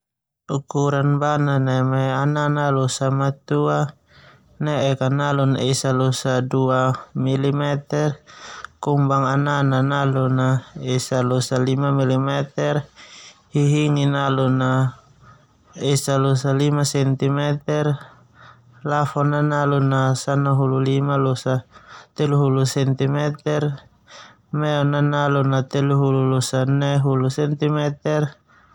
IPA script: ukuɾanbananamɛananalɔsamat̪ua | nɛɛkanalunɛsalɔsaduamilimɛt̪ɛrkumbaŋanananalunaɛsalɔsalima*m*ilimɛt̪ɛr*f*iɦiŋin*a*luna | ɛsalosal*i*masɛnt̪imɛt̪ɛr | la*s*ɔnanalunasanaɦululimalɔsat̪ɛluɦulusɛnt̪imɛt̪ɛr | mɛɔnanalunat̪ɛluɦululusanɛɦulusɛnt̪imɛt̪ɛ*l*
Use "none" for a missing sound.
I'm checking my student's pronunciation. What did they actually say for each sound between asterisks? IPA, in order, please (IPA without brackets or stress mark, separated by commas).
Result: m, h, a, i, f, r